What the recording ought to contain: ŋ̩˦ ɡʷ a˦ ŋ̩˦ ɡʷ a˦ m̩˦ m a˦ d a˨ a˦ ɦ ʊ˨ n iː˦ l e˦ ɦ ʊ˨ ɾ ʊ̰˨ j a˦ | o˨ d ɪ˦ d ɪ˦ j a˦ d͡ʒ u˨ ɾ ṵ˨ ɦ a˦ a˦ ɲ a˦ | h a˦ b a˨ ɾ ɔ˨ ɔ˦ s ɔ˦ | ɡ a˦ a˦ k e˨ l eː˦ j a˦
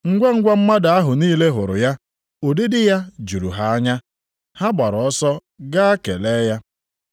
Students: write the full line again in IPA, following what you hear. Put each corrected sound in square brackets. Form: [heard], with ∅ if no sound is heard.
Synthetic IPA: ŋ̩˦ ɡʷ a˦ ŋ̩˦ ɡʷ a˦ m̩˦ m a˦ d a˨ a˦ ɦ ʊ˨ n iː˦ l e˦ ɦ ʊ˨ ɾ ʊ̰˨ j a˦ | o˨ d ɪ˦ d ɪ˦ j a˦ d͡ʒ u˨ ɾ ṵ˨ ɦ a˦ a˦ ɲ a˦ | h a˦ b a˨ ɾ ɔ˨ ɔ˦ s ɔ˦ | ɡ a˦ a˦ k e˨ l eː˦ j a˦